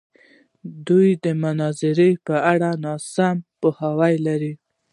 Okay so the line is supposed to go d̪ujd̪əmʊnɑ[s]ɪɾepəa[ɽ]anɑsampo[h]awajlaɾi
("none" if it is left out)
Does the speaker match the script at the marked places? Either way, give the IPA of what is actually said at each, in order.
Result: z, ɽ, h

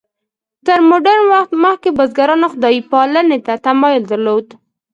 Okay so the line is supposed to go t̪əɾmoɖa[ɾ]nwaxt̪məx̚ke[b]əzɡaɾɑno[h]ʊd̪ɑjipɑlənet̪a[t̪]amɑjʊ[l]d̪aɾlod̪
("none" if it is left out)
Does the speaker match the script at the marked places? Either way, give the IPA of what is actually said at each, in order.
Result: ɾ, b, x, t̪, l

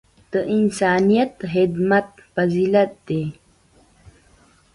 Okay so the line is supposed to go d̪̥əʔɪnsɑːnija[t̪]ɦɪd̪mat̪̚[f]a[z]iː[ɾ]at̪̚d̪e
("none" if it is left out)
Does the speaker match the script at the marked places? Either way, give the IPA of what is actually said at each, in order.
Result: t̪, f, z, l

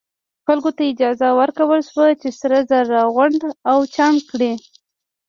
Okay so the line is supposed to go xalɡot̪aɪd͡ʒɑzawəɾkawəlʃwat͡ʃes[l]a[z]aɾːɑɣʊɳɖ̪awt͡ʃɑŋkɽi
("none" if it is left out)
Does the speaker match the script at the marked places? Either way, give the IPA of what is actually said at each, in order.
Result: ɾ, z

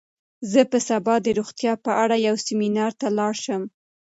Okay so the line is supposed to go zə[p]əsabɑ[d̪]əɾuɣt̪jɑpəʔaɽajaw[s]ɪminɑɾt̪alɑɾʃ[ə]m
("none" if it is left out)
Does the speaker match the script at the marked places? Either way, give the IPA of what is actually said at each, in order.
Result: p, d̪, s, ə

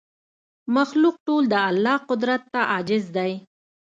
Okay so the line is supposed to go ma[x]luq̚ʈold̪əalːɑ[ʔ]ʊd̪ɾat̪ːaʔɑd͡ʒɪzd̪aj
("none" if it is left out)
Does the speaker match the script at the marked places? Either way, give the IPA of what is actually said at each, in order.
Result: x, q

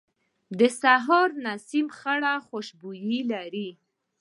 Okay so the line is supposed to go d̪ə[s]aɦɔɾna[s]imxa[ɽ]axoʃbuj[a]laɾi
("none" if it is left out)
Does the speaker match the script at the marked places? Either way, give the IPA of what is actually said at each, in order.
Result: s, s, ɽ, i

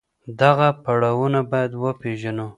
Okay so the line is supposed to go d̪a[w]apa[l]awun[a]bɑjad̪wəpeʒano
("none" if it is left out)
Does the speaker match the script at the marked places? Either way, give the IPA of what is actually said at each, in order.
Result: ɣ, ɽ, a

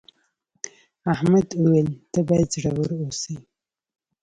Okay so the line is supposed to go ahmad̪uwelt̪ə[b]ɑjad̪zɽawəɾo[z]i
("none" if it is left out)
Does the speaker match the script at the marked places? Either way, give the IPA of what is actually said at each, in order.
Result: b, s

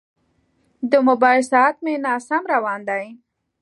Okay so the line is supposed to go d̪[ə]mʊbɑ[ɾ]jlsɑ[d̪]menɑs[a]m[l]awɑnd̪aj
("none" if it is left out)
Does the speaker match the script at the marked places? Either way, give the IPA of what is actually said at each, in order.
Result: ə, none, t̪, a, ɾ

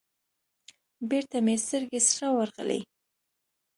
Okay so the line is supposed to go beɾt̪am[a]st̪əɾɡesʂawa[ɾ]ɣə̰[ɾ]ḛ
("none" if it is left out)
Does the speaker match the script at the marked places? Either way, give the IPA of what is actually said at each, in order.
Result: e, ɾ, l

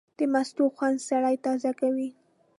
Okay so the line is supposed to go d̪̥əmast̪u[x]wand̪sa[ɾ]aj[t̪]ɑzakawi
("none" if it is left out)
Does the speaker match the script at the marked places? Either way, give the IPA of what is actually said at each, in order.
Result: x, ɽ, t̪

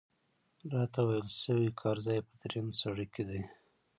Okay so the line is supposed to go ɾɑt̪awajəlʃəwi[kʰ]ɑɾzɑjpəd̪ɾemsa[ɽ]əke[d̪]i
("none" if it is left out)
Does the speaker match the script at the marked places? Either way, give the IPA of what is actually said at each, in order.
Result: kʰ, ɽ, d̪

